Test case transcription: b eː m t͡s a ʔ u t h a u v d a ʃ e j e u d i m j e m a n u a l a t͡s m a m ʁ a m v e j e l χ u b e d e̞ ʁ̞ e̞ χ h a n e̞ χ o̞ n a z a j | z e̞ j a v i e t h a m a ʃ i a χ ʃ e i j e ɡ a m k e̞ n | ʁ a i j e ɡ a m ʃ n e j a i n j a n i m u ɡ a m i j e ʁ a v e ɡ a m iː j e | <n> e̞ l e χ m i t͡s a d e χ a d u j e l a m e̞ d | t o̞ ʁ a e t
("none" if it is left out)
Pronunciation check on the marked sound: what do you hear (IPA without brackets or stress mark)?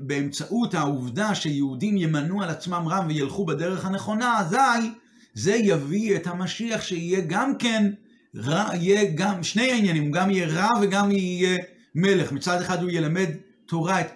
m